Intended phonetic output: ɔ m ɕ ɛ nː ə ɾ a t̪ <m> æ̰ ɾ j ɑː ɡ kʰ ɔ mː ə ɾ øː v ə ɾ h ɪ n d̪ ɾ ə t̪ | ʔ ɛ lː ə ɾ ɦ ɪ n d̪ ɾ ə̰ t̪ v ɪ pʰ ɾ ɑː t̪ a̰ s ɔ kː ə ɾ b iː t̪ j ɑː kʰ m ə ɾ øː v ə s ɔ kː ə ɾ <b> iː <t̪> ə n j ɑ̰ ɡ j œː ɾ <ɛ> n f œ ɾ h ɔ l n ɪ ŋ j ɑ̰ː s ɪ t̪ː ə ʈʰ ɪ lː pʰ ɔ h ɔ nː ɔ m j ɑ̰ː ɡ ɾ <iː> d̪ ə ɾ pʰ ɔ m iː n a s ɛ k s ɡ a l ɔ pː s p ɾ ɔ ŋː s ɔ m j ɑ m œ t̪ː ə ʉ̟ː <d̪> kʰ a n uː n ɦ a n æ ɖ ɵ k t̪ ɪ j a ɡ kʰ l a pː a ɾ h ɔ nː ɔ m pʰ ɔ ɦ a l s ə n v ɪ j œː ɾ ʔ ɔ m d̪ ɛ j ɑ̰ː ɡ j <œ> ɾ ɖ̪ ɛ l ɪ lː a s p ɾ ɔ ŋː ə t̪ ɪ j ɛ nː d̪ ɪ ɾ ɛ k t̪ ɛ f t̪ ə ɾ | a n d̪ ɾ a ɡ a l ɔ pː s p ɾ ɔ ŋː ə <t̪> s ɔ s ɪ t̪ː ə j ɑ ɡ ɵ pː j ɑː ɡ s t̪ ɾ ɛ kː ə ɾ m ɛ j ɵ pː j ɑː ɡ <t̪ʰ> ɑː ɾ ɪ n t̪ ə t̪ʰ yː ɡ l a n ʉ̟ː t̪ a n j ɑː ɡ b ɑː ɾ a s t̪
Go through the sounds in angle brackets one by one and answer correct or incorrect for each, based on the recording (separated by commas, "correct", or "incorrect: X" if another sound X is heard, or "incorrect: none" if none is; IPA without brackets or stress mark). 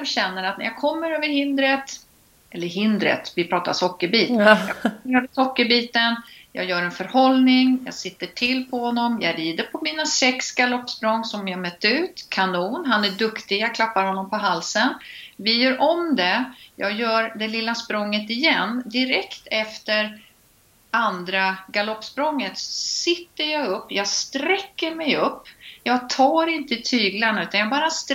incorrect: n, correct, correct, correct, correct, incorrect: t̪, incorrect: œː, correct, correct